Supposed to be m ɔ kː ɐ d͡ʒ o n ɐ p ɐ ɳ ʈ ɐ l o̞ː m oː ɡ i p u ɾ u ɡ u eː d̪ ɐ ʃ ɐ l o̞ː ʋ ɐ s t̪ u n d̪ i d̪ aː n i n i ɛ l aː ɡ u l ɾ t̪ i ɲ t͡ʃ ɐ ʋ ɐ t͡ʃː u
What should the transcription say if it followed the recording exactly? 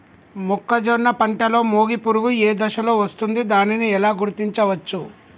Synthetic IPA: m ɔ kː ɐ d͡ʒ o n ɐ p ɐ ɳ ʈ ɐ l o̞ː m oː ɡ i p u ɾ u ɡ u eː d̪ ɐ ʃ ɐ l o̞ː ʋ ɐ s t̪ u n d̪ i d̪ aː n i n i ɛ l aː ɡ u ɾ t̪ i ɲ t͡ʃ ɐ ʋ ɐ t͡ʃː u